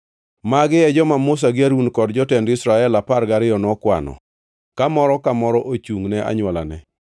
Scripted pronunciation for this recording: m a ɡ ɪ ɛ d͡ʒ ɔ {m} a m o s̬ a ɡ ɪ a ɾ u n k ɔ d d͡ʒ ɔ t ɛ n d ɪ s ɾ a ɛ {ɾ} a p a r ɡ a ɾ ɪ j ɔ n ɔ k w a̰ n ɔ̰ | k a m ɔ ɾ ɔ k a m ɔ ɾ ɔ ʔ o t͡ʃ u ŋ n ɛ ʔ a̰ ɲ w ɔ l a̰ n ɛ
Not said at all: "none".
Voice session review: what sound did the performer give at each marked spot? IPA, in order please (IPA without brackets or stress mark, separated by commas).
m, l